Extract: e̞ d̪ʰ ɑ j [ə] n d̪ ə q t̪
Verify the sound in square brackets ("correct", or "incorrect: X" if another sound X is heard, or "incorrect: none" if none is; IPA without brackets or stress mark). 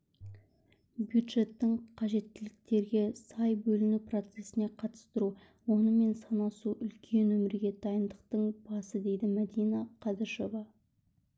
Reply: correct